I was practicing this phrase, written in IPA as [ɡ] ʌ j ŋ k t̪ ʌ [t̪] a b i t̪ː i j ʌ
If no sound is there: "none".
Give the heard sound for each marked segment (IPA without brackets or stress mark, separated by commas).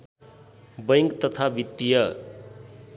b, t̪ʰ